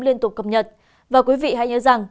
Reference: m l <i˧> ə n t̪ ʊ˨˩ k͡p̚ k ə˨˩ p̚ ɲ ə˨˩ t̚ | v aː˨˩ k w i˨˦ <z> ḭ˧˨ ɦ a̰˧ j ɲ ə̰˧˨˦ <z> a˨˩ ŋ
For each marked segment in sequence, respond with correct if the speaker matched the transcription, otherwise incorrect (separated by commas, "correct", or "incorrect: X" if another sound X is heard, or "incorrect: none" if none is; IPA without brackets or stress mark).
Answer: correct, incorrect: v, correct